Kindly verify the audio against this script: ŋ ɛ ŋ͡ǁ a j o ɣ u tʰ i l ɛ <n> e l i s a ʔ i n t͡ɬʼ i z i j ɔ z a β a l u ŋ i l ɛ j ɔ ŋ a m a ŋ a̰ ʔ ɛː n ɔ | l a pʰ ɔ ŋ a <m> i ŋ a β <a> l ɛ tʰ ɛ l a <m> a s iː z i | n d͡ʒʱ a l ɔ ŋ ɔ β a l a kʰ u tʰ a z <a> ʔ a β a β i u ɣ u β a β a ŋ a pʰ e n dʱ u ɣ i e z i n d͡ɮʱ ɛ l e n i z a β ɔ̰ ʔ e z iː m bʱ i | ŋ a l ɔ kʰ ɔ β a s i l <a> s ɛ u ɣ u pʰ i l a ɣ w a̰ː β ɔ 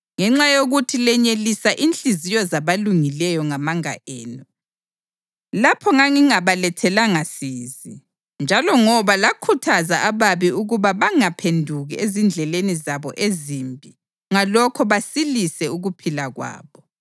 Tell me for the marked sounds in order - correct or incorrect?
incorrect, incorrect, correct, incorrect, correct, incorrect

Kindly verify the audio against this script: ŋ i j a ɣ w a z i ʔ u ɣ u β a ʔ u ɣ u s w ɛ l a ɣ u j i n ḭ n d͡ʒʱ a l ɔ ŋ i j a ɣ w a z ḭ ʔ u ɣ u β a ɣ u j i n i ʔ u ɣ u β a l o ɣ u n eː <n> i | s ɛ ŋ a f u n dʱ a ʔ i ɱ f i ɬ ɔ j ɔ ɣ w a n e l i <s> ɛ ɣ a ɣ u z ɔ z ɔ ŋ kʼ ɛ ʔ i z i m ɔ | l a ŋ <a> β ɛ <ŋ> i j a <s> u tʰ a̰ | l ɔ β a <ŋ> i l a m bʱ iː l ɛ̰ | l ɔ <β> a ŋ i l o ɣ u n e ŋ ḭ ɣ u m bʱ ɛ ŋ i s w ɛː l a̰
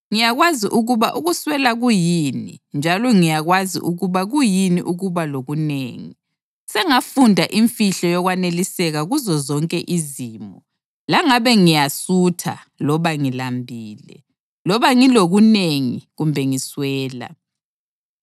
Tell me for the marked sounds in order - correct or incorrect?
incorrect, correct, correct, correct, correct, correct, correct

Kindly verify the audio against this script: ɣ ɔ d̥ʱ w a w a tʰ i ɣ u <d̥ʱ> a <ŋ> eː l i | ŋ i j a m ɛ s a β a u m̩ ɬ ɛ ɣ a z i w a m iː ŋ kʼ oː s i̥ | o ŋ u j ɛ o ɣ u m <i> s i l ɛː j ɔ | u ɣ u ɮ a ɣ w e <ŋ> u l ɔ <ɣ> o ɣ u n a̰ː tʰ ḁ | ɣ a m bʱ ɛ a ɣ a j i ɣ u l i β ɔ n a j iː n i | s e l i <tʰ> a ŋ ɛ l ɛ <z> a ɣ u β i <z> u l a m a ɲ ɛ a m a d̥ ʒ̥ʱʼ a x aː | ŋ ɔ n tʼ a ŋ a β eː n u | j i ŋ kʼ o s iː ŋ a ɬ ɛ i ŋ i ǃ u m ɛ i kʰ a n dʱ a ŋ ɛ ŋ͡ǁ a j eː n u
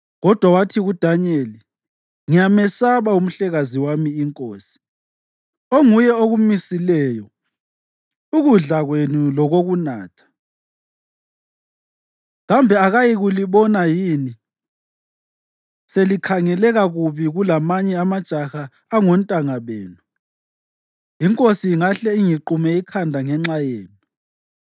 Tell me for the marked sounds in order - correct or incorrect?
correct, incorrect, correct, incorrect, correct, incorrect, incorrect, incorrect

